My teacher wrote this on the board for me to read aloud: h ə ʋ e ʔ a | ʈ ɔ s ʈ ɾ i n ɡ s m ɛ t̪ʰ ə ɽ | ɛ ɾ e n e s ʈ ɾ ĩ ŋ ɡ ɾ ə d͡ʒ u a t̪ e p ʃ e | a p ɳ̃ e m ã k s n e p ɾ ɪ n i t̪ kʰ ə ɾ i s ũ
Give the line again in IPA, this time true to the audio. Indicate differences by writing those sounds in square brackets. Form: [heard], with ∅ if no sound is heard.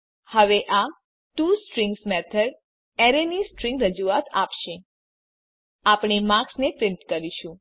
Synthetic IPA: h ə ʋ e ʔ a | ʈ [u] s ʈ ɾ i [ŋ] ɡ s m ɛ t̪ʰ ə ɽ | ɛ ɾ e n [i] s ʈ ɾ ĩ ŋ ɡ ɾ ə d͡ʒ u a t̪ [a] p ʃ e | a p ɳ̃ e m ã k s n e p ɾ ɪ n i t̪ [k] ə ɾ i [ʃ] ũ

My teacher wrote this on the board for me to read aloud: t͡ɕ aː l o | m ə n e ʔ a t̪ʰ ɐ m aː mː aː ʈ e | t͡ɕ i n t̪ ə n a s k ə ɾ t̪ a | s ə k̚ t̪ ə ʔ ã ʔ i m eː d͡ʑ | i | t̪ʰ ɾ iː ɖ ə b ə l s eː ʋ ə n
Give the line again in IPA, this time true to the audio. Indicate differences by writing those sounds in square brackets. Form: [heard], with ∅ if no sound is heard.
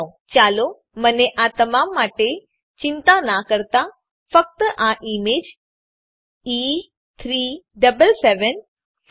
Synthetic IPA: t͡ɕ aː l o | m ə n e ʔ a [t̪] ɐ m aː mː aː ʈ e | t͡ɕ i n t̪ [a] n a [∅] k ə ɾ t̪ a | [f] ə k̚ t̪ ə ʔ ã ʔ i m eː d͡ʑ | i | t̪ʰ ɾ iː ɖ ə b ə l s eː ʋ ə n

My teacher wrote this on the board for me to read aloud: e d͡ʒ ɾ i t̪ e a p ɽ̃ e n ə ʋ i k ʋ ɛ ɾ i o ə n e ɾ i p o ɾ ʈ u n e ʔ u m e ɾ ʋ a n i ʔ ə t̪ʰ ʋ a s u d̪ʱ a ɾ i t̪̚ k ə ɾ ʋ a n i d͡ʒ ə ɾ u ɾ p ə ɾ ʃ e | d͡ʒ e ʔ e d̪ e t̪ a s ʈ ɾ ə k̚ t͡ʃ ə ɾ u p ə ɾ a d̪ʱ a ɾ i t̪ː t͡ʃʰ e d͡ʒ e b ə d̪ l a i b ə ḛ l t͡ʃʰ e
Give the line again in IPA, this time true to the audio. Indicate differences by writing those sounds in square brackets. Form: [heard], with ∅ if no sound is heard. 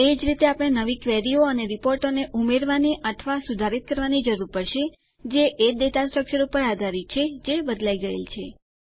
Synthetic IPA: e d͡ʒ ɾ i t̪ e a p ɽ̃ e n ə ʋ i k ʋ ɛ ɾ i o ə n e ɾ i p o ɾ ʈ [o] n e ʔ u m e ɾ ʋ a n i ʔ ə t̪ʰ ʋ a s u d̪ʱ a ɾ i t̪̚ k ə ɾ ʋ a n i d͡ʒ ə ɾ u ɾ p ə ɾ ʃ e | d͡ʒ e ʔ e d̪ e t̪ a s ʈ ɾ ə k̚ t͡ʃ ə ɾ u p ə ɾ a d̪ʱ a ɾ i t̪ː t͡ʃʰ e d͡ʒ e b ə d̪ l a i [ɡ] ə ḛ l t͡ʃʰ e

